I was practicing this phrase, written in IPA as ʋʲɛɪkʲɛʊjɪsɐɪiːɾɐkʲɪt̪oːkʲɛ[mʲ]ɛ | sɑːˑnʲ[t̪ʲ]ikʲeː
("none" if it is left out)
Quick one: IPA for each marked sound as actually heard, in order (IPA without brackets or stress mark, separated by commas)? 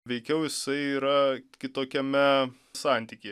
mʲ, t̪ʲ